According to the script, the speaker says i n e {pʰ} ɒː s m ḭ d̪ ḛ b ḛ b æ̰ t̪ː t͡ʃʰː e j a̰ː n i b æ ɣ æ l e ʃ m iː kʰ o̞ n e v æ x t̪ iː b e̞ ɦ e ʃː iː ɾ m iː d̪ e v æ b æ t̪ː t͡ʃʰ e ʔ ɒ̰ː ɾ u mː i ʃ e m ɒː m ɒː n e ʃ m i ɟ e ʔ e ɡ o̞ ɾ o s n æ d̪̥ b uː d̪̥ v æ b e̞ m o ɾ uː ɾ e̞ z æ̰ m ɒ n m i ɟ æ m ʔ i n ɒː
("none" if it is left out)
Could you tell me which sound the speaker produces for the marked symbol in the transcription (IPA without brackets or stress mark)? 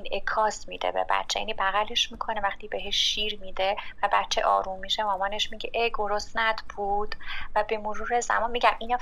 kʰ